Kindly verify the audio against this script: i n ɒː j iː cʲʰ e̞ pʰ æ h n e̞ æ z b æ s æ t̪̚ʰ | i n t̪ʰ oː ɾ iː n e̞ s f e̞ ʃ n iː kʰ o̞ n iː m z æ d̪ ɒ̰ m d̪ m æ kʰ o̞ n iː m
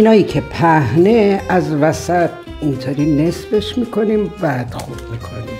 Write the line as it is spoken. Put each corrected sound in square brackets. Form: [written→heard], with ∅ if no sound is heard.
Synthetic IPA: i n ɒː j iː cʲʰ e̞ pʰ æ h n e̞ æ z [b→v] æ s æ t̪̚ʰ | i n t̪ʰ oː ɾ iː n e̞ s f e̞ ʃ [n→m] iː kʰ o̞ n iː m [z→v] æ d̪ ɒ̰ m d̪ m [æ→i] kʰ o̞ n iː m